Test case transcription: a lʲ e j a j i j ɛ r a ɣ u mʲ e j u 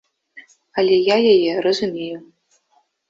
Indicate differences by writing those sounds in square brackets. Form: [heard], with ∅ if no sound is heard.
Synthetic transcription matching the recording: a lʲ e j a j [a] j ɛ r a [z] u mʲ e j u